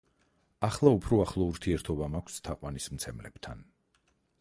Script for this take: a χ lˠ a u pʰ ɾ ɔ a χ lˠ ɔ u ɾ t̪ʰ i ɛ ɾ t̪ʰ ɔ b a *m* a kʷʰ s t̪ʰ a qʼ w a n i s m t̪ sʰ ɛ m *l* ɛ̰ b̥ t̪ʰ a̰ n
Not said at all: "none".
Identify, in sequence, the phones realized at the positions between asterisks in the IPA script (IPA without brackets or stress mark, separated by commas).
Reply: m, l